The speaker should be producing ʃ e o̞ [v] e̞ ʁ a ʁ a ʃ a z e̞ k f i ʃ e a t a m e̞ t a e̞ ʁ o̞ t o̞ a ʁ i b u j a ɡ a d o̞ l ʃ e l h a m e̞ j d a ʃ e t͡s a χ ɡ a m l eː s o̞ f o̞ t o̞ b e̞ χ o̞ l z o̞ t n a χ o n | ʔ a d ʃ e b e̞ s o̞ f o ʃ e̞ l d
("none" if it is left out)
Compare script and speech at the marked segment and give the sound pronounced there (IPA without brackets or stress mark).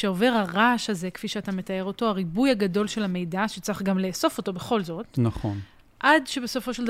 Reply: v